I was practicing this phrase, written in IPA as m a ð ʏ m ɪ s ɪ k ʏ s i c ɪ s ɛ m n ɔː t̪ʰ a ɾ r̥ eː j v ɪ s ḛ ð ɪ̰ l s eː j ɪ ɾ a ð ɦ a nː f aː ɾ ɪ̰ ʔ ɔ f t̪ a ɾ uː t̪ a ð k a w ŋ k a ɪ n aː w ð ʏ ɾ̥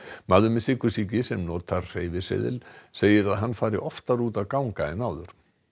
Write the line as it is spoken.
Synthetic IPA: m a ð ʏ m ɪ s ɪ k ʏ s i c ɪ s ɛ m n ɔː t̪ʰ a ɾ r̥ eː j v ɪ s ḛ ð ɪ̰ l s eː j ɪ ɾ a ð ɦ a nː f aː ɾ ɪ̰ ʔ ɔ f t̪ a ɾ uː t̪ a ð k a w ŋ k a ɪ n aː w ð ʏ ɾ̥